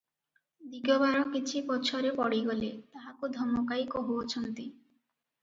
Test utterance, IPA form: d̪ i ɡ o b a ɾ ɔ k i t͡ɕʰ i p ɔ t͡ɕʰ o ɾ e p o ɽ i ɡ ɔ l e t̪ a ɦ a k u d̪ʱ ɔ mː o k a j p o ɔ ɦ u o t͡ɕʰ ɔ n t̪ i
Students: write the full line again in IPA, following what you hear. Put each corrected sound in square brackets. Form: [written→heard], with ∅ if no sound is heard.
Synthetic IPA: d̪ i ɡ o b a ɾ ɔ k i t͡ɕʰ i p ɔ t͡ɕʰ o ɾ e p [o→ɔ] ɽ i ɡ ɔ l e t̪ a ɦ a k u d̪ʱ ɔ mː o k a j [p→k] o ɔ ɦ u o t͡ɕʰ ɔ n t̪ i